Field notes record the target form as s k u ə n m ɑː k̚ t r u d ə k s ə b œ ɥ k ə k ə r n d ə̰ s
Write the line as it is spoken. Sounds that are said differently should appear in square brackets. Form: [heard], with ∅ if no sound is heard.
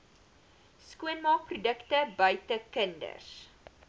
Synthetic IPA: s k u ə n m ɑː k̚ [p] r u d ə k [t] ə b œ ɥ [t] ə k ə [∅] n d ə̰ s